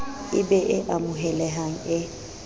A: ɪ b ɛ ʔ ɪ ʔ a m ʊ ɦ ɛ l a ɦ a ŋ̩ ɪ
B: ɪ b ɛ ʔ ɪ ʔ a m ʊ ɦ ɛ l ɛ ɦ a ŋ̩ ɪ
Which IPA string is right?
B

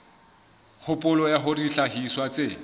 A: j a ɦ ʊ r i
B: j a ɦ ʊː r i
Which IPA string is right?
A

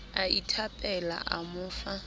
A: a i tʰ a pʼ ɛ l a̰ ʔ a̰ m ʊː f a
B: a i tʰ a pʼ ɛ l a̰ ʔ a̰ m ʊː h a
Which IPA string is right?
A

